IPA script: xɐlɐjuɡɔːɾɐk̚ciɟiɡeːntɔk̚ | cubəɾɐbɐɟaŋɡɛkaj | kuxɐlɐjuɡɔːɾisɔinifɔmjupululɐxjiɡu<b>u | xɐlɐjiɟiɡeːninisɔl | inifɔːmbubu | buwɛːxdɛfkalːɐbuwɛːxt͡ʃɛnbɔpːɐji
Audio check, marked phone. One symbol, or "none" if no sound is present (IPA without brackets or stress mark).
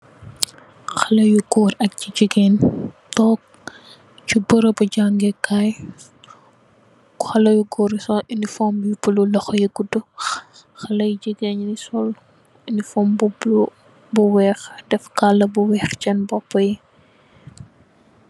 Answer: d